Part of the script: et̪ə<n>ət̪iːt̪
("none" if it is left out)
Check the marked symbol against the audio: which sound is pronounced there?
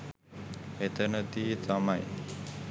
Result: n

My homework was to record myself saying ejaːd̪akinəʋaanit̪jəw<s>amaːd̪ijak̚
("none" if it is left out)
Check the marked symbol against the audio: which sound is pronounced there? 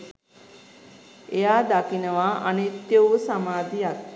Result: s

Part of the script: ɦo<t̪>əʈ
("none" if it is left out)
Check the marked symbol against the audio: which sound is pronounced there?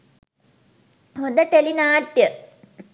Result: d̪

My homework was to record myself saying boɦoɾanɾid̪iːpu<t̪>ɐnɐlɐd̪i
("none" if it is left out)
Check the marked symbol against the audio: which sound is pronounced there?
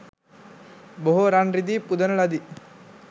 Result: d̪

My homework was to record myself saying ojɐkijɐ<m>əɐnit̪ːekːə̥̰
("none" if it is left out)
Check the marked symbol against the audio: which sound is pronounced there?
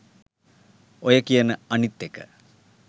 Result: n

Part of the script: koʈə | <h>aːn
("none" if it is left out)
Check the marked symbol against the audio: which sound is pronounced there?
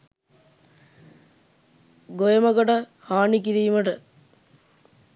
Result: h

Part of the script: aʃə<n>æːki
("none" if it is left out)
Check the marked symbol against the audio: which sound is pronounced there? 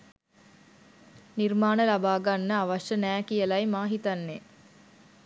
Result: n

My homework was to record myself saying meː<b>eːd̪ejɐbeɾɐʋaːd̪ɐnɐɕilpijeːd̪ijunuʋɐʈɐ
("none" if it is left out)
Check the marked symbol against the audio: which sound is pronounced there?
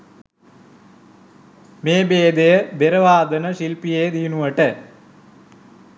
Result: b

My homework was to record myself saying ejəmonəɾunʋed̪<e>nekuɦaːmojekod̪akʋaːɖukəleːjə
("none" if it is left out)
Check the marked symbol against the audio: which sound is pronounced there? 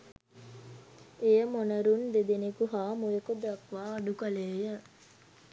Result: e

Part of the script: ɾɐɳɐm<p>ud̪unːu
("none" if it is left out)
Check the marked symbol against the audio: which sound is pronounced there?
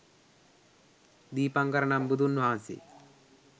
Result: b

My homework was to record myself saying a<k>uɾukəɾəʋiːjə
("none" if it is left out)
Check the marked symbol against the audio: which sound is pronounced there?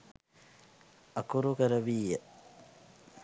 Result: k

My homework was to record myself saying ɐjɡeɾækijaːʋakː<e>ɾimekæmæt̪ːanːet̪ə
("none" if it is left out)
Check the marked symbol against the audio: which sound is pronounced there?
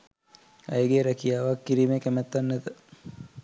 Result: i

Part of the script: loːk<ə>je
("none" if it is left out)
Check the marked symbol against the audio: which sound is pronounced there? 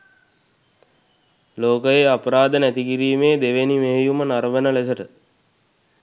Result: ə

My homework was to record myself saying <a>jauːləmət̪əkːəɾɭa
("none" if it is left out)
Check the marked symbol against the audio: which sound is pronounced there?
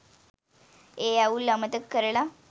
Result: e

